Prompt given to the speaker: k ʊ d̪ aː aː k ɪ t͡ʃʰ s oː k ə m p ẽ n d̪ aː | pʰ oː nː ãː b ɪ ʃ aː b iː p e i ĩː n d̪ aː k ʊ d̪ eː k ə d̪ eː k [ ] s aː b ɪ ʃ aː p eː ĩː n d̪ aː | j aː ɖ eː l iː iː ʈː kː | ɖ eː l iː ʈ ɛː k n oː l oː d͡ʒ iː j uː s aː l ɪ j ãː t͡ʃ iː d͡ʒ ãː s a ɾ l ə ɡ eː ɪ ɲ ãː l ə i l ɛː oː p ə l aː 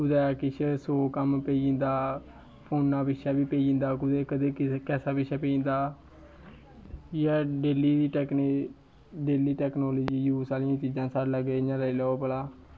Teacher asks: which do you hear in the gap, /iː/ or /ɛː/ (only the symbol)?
ɛː